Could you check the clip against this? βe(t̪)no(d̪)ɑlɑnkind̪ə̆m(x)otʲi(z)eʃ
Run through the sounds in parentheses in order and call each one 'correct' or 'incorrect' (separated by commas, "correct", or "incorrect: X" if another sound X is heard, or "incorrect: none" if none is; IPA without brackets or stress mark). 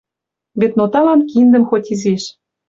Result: correct, incorrect: t̪, correct, correct